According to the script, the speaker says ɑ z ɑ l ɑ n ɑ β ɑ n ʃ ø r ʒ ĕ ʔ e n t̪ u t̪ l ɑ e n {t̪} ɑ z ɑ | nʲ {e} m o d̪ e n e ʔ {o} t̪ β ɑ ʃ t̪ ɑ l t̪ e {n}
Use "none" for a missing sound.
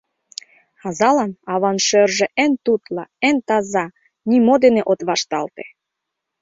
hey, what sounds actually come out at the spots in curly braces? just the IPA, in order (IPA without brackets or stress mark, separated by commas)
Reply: t̪, i, o, none